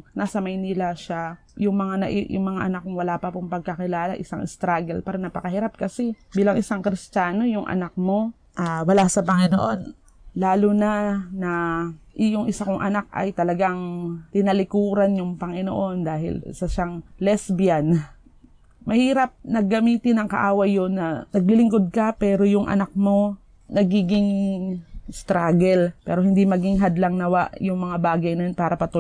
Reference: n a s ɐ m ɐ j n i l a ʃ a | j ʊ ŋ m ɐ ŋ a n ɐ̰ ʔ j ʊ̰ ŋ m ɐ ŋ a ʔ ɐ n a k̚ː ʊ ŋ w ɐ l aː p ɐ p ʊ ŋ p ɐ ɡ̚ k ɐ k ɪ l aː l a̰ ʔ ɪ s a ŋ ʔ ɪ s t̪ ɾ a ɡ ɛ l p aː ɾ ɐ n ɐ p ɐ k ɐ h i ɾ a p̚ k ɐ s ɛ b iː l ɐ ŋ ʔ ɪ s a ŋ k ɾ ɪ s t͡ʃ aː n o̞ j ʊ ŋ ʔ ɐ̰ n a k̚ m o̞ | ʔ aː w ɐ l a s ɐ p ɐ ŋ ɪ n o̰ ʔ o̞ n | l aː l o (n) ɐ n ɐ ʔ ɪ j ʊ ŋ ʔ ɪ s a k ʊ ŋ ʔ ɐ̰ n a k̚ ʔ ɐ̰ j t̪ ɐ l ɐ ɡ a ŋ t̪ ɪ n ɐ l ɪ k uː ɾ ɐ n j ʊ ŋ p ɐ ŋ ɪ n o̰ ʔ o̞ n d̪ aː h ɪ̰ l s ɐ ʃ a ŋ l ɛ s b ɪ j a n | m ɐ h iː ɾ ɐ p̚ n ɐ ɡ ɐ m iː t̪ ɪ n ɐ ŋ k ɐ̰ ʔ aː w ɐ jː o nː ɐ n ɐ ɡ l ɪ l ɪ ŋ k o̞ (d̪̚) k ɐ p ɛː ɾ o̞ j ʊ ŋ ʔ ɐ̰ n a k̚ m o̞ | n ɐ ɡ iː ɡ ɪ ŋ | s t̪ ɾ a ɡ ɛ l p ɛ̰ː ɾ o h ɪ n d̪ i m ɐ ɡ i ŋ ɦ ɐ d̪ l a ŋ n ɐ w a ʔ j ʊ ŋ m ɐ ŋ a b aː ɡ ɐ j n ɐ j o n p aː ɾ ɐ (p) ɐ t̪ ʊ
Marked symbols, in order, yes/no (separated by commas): yes, yes, yes